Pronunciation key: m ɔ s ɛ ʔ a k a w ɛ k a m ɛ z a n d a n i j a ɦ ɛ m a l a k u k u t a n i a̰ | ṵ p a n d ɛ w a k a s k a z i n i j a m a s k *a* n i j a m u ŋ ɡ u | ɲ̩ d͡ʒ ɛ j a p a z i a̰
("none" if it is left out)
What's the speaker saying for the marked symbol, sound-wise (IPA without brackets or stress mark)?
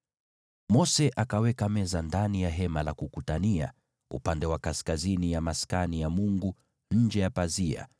a